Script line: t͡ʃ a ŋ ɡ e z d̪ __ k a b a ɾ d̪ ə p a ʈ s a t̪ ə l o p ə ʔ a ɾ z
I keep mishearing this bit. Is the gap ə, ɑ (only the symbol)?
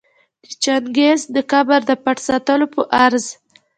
ə